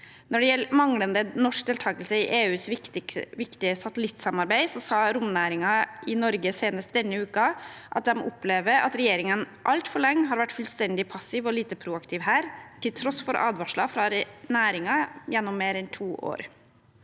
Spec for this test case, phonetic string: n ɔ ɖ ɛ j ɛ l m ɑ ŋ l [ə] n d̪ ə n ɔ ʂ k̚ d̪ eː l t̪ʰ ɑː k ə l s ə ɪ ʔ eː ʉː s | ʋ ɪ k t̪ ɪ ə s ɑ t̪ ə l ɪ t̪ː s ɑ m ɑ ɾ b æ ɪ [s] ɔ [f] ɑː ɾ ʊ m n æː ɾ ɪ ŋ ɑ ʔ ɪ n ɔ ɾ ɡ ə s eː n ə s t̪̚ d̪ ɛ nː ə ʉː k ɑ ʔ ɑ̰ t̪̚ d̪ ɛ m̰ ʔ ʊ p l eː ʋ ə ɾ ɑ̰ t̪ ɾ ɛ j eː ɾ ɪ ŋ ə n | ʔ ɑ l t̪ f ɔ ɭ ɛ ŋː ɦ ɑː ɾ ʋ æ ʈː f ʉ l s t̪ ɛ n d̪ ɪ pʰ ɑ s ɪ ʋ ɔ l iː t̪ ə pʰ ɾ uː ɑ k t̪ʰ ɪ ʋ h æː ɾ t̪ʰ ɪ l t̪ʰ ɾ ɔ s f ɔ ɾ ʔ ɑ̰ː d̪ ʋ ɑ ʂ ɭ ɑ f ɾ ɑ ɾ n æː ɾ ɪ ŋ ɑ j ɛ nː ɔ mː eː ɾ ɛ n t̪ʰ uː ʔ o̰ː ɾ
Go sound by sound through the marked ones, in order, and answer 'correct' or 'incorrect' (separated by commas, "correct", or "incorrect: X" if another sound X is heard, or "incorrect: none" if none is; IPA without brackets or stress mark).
correct, correct, incorrect: s